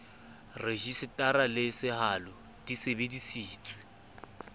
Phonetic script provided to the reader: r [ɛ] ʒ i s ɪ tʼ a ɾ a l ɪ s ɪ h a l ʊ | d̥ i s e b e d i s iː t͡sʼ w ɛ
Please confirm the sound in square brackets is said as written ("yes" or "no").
no